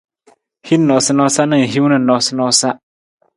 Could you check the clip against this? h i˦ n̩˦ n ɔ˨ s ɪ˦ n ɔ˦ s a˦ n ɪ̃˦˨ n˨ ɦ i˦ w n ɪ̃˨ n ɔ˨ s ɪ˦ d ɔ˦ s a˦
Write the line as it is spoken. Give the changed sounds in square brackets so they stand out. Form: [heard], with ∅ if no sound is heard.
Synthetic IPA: h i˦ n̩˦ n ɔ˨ s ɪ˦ n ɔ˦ s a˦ n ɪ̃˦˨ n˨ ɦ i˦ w n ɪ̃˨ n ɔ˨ s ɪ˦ [n] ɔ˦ s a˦